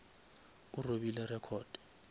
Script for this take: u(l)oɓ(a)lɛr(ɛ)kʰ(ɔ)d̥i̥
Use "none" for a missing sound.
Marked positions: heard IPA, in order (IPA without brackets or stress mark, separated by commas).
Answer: r, i, ɛ, ɔː